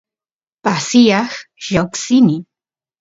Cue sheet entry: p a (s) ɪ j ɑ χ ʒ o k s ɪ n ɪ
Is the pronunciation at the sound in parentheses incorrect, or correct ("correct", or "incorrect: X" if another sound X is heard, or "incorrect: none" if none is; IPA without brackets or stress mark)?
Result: correct